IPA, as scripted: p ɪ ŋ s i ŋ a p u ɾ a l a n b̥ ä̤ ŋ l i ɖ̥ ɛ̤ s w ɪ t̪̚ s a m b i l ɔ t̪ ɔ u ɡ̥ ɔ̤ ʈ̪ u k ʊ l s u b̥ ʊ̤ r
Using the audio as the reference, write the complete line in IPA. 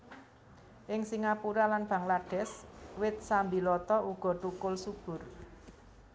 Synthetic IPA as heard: ʔ ɪ ŋ s i ŋ a p u ɾ a l a n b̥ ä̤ ŋ l a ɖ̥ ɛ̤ s w ɪ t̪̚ s a m b i l ɔ t̪ ɔ u ɡ̥ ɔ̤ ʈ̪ u k ʊ l s u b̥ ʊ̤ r